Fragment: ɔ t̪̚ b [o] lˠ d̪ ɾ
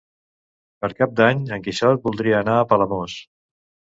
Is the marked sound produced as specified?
no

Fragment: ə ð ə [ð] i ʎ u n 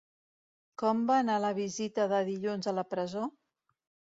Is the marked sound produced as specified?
yes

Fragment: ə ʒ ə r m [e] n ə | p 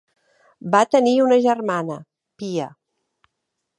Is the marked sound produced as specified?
no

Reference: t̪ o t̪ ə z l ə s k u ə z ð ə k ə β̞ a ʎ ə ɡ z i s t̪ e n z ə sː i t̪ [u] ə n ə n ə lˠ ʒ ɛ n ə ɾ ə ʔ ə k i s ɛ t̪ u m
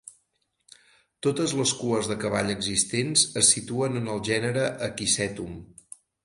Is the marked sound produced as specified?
yes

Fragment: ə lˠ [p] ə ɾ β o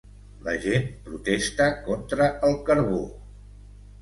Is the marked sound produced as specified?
no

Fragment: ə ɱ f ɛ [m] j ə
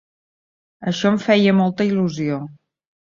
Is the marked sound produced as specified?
no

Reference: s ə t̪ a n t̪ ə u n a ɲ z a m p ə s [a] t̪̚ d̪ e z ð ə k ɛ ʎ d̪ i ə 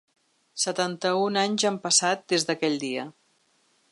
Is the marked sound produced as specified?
yes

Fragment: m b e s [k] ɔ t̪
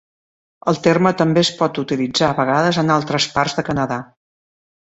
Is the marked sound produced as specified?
no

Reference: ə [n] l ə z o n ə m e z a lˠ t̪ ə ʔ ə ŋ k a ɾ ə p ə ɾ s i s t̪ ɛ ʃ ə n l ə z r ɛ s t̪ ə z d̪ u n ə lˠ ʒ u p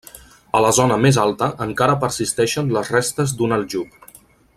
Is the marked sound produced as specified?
no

